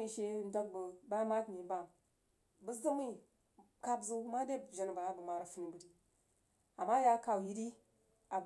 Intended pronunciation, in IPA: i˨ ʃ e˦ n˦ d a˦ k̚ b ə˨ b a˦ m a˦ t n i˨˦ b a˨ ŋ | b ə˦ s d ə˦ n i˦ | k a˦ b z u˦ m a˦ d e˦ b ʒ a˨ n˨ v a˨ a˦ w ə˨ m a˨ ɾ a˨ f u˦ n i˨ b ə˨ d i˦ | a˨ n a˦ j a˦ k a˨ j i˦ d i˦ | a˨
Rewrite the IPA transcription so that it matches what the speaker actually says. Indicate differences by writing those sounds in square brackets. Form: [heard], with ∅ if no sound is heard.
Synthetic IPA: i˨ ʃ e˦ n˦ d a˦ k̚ b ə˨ b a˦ m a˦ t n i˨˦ b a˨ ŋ | b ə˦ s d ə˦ [m] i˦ | k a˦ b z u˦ m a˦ d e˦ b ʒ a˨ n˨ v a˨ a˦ [b] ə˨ m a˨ ɾ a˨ f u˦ n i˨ b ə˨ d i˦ | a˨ [m] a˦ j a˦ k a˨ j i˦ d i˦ | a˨